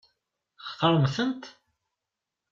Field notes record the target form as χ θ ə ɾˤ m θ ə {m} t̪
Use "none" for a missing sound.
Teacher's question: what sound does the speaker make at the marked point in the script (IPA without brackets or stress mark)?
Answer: n